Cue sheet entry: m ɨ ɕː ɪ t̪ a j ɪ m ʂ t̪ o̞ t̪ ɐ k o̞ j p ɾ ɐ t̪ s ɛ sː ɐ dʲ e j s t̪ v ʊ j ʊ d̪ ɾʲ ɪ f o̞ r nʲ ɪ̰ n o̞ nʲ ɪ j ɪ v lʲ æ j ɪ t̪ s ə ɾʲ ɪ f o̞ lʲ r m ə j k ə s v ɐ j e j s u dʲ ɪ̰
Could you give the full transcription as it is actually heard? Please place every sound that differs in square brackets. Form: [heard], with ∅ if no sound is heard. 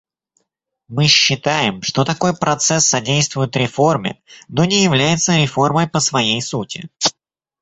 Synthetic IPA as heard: m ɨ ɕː ɪ t̪ a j ɪ m ʂ t̪ o̞ t̪ ɐ k o̞ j p ɾ ɐ t̪ s ɛ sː ɐ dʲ e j s t̪ v ʊ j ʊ [t̪] ɾʲ ɪ f o̞ r [mʲ] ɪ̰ n o̞ nʲ ɪ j ɪ v lʲ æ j ɪ t̪ s ə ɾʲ ɪ f o̞ [∅] r m ə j [p] ə s v ɐ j e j s u [tʲ] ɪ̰